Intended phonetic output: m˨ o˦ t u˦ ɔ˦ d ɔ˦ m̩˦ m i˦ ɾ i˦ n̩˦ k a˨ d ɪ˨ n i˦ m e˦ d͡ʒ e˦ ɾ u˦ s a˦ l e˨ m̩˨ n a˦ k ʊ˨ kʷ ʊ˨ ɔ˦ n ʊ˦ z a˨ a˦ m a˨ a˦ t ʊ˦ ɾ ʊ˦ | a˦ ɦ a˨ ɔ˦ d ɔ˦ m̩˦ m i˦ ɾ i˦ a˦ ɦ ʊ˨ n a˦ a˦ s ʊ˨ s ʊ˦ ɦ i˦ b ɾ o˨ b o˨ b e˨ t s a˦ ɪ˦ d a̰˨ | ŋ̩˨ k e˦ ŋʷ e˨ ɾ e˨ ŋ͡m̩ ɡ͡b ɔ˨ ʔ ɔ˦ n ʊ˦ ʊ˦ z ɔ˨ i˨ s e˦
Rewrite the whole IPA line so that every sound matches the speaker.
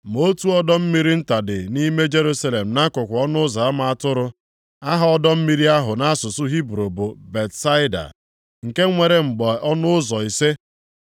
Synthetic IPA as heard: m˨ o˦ t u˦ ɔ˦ d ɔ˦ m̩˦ m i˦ ɾ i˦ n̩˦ t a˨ d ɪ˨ n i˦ m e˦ d͡ʒ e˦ ɾ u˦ s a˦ l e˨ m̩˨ n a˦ k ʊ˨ kʷ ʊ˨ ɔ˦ n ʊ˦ z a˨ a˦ m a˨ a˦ t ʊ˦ ɾ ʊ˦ | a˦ ɦ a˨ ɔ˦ d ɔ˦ m̩˦ m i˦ ɾ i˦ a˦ ɦ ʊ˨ n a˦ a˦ s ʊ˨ s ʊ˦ ɦ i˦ b ɾ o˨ b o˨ b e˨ t s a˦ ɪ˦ d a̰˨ | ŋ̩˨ k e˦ ŋʷ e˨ ɾ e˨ ŋ͡m̩ ɡ͡b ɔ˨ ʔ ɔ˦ n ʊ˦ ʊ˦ z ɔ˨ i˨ s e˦